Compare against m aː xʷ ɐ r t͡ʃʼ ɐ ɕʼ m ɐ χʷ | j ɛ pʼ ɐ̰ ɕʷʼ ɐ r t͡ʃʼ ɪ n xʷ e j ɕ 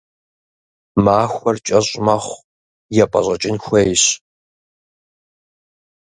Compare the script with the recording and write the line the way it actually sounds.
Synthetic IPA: m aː xʷ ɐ r t͡ʃʼ ɐ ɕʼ m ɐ χʷ | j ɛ pʼ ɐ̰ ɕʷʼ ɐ t͡ʃʼ ɪ n xʷ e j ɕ